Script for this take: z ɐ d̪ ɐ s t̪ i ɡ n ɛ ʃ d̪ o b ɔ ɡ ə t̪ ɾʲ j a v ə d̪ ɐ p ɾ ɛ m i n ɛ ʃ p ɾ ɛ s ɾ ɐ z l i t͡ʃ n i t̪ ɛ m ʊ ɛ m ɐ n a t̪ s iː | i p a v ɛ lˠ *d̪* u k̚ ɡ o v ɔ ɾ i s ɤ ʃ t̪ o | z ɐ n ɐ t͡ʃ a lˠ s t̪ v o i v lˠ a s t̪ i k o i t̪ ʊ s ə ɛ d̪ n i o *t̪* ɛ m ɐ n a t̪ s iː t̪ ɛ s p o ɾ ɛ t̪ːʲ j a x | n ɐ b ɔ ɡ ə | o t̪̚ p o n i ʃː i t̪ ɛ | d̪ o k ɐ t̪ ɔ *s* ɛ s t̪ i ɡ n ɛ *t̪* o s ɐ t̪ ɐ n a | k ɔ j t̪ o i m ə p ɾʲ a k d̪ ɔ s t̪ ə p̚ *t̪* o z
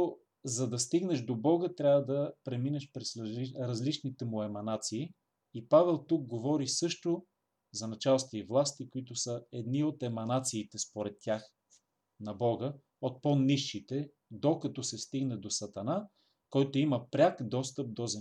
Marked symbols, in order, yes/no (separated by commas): no, yes, yes, no, no